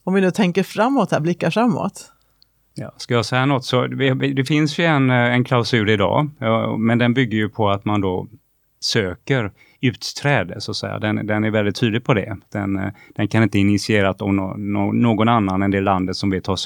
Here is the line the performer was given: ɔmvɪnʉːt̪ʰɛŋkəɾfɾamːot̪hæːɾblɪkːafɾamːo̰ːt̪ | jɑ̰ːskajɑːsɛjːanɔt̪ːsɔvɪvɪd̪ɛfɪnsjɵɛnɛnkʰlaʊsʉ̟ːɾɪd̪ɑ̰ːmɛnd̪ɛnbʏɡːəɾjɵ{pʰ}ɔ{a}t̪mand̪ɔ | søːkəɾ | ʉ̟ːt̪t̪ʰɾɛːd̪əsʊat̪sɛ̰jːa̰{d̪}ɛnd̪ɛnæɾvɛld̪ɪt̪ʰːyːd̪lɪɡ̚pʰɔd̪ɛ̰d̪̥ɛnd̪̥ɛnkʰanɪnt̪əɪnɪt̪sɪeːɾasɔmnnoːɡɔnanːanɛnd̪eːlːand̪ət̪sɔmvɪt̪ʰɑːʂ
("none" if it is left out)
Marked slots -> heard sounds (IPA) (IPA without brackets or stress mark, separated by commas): pʰ, a, d̪